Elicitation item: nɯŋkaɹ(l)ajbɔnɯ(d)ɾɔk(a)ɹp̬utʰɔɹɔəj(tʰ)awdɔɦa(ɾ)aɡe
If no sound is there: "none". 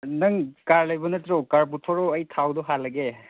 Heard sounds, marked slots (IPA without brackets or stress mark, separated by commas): l, t, a, tʰ, l